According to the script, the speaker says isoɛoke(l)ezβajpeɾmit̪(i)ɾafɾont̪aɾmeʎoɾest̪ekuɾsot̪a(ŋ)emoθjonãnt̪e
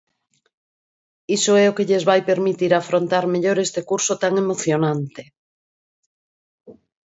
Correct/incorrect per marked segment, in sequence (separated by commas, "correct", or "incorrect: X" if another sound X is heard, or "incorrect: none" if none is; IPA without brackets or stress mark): incorrect: ʎ, correct, correct